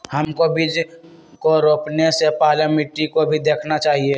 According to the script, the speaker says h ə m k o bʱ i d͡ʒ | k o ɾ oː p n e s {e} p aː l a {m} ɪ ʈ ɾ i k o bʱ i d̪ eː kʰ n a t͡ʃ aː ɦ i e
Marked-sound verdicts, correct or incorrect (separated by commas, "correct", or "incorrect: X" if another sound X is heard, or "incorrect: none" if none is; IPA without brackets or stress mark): correct, correct